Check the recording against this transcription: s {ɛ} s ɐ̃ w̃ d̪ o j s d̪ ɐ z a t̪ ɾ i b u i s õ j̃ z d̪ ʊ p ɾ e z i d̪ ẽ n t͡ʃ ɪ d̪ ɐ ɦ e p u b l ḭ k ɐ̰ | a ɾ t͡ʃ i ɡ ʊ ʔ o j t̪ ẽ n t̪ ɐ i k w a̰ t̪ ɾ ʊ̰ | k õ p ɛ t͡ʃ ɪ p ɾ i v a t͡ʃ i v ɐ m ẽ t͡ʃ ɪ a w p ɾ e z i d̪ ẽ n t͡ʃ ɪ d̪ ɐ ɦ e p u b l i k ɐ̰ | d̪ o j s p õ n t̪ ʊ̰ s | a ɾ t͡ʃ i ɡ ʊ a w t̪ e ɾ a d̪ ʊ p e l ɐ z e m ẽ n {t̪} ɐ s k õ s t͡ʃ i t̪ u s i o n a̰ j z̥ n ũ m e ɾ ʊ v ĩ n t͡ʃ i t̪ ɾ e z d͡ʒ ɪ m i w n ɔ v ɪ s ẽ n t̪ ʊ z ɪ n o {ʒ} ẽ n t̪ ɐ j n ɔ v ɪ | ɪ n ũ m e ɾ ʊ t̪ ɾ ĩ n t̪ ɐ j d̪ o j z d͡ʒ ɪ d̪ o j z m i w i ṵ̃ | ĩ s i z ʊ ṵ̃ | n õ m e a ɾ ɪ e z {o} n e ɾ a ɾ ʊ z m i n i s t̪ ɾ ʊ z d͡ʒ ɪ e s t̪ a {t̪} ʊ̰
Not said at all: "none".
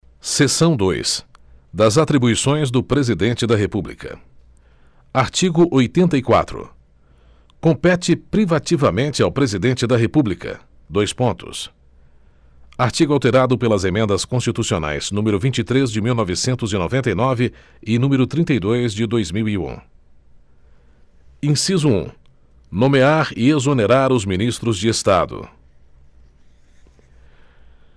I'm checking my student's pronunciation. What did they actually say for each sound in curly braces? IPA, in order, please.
e, d̪, v, o, d̪

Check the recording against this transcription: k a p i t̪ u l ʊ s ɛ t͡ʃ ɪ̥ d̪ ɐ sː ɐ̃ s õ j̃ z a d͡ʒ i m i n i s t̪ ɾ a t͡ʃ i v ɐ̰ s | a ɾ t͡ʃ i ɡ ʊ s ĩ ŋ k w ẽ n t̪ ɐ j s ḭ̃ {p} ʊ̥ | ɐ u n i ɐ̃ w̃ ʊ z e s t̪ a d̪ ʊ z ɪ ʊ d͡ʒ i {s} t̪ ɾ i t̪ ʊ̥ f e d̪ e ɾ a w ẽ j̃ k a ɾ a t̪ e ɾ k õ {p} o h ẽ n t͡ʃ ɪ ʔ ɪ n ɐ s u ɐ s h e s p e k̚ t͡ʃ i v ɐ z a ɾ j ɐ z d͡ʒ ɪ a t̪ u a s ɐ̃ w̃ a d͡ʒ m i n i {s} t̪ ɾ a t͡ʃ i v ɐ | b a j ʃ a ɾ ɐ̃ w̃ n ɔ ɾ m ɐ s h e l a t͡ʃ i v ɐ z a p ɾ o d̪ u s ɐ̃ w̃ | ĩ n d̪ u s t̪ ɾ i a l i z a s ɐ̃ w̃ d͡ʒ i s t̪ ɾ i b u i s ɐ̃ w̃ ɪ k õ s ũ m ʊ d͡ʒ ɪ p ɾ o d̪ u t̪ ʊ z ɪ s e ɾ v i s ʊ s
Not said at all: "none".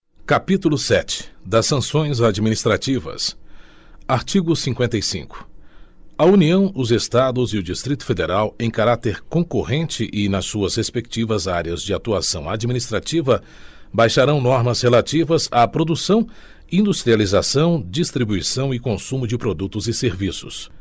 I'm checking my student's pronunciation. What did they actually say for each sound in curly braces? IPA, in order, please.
k, s, k, s

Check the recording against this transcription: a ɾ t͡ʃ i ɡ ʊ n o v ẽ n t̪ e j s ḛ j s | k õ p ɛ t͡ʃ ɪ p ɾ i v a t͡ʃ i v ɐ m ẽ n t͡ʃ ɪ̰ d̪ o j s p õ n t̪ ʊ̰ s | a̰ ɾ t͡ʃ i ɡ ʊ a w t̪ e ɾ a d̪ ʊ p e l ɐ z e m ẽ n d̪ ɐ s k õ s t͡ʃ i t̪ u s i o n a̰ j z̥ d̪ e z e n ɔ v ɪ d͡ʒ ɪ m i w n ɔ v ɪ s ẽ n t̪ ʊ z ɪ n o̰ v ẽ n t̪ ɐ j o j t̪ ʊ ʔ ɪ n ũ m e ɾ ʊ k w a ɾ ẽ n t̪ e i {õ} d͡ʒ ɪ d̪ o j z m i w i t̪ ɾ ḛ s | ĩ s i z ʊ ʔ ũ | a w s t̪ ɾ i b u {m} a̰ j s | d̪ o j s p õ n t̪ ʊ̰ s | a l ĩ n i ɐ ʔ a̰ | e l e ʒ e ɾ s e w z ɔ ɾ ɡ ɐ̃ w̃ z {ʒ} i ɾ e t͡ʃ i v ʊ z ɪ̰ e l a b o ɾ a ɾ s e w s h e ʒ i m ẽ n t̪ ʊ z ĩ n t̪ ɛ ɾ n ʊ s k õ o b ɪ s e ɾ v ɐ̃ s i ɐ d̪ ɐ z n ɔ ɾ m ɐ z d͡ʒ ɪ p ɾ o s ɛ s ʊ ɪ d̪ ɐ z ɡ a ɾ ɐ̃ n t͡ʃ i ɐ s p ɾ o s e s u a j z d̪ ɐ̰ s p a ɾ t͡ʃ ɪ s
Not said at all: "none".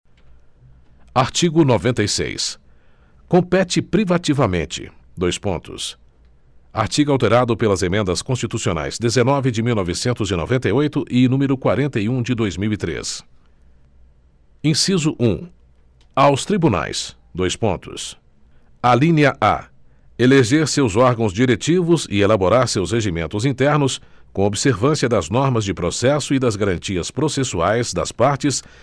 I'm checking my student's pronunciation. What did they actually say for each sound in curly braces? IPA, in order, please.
ũ, n, d͡ʒ

